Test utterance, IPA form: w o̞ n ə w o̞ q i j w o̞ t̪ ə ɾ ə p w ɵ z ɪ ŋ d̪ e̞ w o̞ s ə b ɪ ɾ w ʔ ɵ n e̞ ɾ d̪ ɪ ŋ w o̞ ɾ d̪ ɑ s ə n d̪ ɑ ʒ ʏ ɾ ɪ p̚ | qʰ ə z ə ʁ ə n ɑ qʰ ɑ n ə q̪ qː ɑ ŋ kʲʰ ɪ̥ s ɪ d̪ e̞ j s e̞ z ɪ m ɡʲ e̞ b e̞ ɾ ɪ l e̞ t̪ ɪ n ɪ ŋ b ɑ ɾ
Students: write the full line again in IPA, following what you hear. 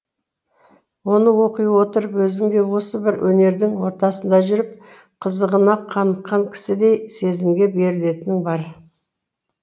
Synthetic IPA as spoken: w o̞ n ə w o̞ q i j w o̞ t̪ ə ɾ ə p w ɵ z ɪ ŋ d̪ e̞ w o̞ s ə b ɪ ɾ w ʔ ɵ n e̞ ɾ d̪ ɪ ŋ w o̞ ɾ t̪ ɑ s ə n d̪ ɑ ʒ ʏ ɾ ɪ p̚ | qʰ ə z ə ʁ ə n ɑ qʰ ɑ n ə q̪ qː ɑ ŋ kʲʰ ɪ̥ s ɪ d̪ e̞ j s e̞ z ɪ m ɡʲ e̞ b e̞ ɾ ɪ l e̞ t̪ ɪ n ɪ ŋ b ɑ ɾ